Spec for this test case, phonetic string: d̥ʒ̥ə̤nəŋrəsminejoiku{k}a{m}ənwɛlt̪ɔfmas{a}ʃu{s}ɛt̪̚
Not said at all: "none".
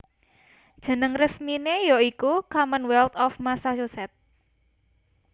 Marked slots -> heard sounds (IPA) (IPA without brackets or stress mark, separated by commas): k, m, a, s